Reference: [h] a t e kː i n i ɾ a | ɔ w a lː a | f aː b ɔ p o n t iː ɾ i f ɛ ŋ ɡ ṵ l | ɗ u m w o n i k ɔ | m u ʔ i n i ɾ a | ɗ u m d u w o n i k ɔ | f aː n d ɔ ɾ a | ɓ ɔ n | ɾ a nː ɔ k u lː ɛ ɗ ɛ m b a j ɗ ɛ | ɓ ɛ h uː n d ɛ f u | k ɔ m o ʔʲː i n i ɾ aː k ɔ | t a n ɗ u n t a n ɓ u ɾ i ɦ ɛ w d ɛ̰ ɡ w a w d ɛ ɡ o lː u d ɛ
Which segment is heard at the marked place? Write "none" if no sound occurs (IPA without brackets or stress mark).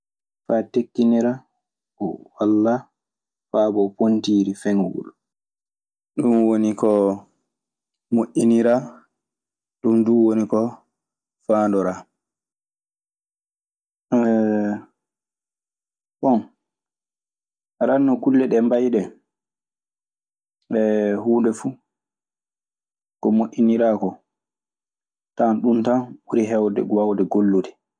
f